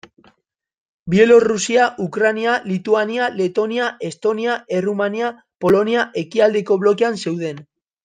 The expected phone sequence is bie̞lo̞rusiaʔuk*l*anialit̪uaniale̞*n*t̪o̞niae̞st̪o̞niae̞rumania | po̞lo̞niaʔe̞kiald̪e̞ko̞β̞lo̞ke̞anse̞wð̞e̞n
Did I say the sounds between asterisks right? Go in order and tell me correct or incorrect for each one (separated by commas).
incorrect, incorrect